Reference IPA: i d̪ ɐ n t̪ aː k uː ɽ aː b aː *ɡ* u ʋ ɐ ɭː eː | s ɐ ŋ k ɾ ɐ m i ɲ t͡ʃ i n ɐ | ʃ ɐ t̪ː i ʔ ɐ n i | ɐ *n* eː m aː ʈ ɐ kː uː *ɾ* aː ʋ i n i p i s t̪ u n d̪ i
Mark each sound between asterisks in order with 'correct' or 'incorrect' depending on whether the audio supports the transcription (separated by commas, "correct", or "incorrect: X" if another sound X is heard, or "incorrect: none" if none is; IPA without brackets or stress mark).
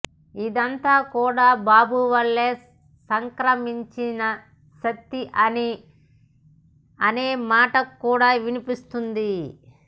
incorrect: b, correct, incorrect: ɽ